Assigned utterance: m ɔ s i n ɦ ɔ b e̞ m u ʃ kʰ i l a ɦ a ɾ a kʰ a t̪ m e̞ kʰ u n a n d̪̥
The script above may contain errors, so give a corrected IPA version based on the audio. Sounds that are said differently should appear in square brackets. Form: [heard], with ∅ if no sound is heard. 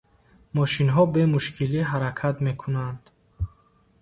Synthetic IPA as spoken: m ɔ [ʃ] i n ɦ ɔ b e̞ m u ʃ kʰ i l [i] ɦ a ɾ a kʰ a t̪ m e̞ kʰ u n a n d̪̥